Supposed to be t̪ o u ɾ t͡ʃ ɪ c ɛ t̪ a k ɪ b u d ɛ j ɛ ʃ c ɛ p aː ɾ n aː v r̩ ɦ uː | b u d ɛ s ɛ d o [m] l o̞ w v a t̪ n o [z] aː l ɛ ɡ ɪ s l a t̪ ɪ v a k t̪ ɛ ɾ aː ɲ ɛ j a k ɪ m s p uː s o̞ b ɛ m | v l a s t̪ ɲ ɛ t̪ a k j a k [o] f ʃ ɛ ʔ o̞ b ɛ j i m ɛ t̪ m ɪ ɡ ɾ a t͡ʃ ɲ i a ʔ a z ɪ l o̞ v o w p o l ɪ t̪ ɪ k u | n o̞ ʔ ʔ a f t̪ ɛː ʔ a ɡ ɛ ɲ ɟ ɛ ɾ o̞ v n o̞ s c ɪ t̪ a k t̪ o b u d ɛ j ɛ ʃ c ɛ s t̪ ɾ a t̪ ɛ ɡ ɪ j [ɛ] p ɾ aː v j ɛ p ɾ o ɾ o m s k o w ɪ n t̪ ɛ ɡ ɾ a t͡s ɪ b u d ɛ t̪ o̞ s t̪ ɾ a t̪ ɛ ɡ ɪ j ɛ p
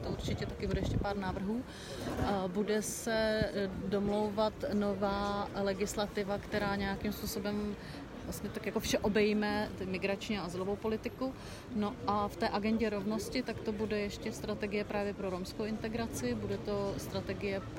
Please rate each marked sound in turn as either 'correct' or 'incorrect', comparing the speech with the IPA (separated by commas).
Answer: correct, incorrect, correct, correct